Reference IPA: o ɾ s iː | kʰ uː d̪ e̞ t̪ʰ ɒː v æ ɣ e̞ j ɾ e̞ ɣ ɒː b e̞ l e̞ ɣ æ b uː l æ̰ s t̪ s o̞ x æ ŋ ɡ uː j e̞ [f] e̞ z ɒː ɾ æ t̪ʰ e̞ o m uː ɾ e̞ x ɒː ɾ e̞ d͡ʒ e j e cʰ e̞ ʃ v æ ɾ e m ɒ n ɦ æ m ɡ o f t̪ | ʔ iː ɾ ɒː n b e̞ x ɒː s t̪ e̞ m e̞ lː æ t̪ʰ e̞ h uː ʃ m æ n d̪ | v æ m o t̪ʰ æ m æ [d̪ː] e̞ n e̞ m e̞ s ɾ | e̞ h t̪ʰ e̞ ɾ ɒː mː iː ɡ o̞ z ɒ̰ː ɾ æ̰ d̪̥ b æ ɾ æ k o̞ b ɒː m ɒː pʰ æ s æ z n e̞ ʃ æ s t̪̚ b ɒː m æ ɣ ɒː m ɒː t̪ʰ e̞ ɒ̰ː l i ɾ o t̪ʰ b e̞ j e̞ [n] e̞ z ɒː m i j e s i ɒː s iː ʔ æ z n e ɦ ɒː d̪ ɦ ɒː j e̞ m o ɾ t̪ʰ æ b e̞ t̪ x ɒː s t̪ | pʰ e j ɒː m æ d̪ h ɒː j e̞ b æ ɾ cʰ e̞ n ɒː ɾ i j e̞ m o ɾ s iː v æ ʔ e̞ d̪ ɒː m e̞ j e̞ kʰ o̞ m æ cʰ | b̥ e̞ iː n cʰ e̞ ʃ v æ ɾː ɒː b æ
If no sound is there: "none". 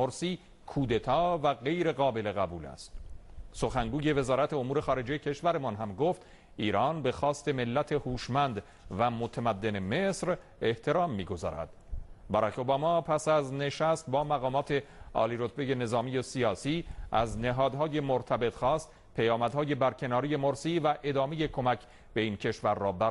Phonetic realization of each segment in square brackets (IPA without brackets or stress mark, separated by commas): v, d̪ː, n